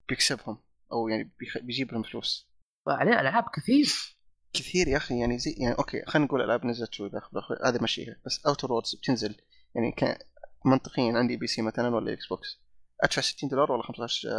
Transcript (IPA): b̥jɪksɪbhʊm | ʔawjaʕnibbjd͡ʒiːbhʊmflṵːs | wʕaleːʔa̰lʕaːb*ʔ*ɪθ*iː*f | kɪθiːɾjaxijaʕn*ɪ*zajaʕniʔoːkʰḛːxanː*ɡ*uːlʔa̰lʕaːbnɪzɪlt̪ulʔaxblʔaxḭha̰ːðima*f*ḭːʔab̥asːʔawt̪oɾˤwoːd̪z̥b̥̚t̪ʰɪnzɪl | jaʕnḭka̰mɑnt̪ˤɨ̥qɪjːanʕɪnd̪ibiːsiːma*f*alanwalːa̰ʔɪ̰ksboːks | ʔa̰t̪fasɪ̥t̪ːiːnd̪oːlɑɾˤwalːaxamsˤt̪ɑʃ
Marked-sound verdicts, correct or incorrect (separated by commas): incorrect, correct, incorrect, correct, incorrect, incorrect